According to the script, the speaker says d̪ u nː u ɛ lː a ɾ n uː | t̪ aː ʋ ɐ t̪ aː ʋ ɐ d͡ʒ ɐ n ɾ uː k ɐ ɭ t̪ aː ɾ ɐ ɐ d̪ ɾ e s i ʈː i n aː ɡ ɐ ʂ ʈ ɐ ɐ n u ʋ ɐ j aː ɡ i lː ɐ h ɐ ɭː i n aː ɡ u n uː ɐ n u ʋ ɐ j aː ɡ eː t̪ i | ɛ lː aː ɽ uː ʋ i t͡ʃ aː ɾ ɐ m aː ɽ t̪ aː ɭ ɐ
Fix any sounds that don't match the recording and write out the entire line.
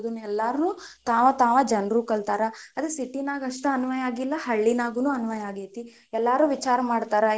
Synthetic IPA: d̪ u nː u ɛ lː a ɾ n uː | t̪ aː ʋ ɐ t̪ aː ʋ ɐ d͡ʒ ɐ n ɾ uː k ɐ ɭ t̪ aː ɾ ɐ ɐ d̪ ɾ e s i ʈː i n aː ɡ ɐ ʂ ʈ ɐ ɐ n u ʋ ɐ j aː ɡ i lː ɐ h ɐ ɭː i n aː ɡ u n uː ɐ n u ʋ ɐ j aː ɡ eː t̪ i | ɛ lː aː ɾ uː ʋ i t͡ʃ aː ɾ ɐ m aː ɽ t̪ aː ɾ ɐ

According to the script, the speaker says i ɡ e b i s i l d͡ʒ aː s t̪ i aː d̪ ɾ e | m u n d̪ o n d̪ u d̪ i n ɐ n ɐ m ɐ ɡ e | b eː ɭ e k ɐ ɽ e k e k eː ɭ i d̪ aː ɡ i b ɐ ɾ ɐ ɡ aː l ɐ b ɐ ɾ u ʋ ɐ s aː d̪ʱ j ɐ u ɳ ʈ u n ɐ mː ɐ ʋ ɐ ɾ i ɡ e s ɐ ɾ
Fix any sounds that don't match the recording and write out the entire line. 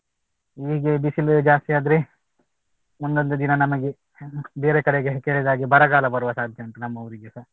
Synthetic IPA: i ɡ e b i s i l d͡ʒ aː s t̪ i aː d̪ ɾ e | m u n d̪ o n d̪ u d̪ i n ɐ n ɐ m ɐ ɡ e | b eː ɾ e k ɐ ɽ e ɡ e k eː ɭ i d̪ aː ɡ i b ɐ ɾ ɐ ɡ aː l ɐ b ɐ ɾ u ʋ ɐ s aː d̪ʱ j ɐ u ɳ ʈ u n ɐ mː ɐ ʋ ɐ ɾ i ɡ e s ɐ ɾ

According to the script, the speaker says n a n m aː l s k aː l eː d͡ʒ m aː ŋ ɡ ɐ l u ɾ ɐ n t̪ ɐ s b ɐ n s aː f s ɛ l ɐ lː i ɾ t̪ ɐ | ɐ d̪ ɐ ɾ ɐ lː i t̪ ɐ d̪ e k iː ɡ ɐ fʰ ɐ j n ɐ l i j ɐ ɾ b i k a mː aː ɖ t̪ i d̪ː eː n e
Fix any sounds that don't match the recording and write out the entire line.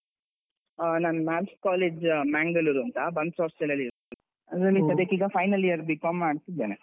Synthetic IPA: n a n m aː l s k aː l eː d͡ʒ m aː ŋ ɡ ɐ l u ɾ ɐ n t̪ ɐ b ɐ n s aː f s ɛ l ɐ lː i ɾ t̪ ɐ | ɐ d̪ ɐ ɾ ɐ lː i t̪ ɐ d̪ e k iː ɡ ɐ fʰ ɐ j n ɐ l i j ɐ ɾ b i k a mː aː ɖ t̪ i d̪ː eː n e

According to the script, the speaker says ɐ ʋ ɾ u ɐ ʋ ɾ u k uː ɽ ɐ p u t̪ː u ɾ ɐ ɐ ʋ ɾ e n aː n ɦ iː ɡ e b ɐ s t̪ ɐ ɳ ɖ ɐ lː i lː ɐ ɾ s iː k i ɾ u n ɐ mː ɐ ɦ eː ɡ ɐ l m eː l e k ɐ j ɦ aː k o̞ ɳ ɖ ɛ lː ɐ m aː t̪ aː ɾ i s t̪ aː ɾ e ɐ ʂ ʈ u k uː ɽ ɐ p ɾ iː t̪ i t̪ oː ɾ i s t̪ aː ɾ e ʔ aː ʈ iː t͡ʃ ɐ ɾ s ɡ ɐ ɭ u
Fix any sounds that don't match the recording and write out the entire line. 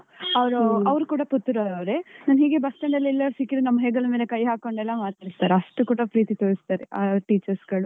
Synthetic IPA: ɐ ʋ ɾ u ɐ ʋ ɾ u k uː ɽ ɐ p u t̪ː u ɾ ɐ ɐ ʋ ɾ e n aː n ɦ iː ɡ e b ɐ s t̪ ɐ ɳ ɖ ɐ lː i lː ɐ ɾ s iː k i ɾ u n ɐ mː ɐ ɦ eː ɡ ɐ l m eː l e k ɐ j ɦ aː k o̞ ɳ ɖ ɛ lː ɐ m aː t̪ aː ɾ i s t̪ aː ɾ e ɐ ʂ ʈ u k uː ɽ ɐ p ɾ iː t̪ i t̪ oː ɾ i s t̪ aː ɾ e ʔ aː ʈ iː t͡ʃ ɐ ɾ s ɡ ɐ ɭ u

